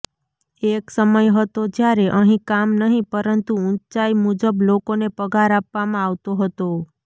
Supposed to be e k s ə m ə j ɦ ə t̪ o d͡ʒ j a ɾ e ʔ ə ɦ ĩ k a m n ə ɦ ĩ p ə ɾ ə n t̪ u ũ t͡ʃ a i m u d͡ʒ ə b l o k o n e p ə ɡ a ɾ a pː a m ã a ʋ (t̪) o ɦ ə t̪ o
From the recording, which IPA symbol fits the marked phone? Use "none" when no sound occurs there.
t̪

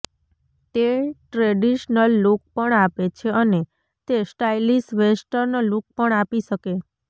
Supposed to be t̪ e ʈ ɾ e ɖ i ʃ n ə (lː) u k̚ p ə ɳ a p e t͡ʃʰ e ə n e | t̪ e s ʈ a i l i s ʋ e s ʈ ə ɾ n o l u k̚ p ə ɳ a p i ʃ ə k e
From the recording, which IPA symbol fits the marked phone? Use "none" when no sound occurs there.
lː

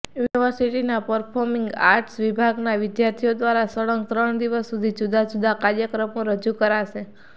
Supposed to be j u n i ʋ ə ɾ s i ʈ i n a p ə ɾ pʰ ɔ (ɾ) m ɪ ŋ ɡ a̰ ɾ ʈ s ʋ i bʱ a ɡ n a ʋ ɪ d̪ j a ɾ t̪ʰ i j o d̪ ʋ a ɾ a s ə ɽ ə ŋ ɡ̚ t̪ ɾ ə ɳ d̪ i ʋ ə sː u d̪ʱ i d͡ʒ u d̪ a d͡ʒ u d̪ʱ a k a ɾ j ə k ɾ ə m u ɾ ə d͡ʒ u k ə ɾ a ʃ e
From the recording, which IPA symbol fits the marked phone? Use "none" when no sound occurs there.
ɾ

